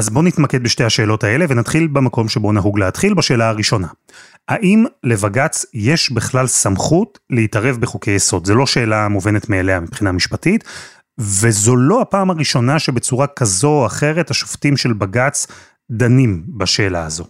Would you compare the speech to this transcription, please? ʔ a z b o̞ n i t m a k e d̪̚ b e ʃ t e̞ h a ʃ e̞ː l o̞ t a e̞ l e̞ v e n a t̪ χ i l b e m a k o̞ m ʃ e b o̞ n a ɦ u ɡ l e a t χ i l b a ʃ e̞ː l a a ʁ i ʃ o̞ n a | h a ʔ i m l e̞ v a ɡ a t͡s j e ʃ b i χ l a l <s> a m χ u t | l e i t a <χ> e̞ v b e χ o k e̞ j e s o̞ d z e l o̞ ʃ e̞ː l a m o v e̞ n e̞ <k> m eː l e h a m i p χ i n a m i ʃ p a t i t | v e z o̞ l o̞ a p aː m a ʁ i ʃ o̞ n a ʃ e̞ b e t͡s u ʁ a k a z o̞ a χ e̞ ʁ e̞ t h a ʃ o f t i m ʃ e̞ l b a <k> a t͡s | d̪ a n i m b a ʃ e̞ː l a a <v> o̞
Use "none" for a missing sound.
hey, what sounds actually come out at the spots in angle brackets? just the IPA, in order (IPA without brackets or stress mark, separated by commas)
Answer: s, ʁ, t, ɡ, z